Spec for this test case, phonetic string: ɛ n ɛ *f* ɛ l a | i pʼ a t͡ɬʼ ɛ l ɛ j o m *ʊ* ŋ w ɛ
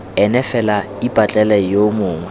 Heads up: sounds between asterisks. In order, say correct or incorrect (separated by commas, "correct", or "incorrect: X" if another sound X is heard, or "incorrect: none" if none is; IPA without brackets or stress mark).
correct, incorrect: ʊː